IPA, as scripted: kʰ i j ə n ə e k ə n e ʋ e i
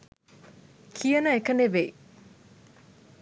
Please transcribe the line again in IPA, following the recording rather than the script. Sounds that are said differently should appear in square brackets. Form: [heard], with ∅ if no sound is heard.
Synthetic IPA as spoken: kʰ i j ə n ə e k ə n e ʋ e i

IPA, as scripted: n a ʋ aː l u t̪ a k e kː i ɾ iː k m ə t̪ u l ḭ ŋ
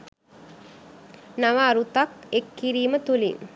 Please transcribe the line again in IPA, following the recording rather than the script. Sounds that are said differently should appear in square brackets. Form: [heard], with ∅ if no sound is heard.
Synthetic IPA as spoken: n a ʋ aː [ɾ] u t̪ a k e kː i ɾ iː [∅] m ə t̪ u l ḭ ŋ

